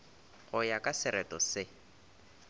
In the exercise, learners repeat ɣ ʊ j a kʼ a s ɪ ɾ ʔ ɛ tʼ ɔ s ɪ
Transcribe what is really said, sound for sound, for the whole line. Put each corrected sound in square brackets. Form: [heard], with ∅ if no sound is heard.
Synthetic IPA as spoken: ɣ ʊ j a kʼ a s ɪ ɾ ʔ ɛ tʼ ɔ s ɪ